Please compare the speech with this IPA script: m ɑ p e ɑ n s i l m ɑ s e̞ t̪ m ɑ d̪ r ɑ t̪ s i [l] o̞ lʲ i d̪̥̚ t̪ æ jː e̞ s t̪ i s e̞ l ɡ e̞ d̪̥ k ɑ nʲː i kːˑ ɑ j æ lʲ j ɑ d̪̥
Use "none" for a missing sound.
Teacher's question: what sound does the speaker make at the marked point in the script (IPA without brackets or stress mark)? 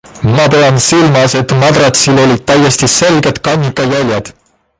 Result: l